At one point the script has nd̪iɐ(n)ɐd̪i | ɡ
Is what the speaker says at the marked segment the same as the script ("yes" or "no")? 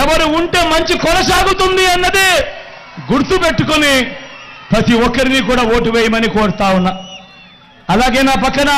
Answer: no